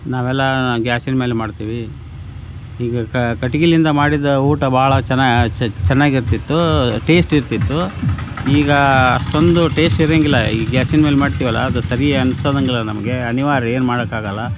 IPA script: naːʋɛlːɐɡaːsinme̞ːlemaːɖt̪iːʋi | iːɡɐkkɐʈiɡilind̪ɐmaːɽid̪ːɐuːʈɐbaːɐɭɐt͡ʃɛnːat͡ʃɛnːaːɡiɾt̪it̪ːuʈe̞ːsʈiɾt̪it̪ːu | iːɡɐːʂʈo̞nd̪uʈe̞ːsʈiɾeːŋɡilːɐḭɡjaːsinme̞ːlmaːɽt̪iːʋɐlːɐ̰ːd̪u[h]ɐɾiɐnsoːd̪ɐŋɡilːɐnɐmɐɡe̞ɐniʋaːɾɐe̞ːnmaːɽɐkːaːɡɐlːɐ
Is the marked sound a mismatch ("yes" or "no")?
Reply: yes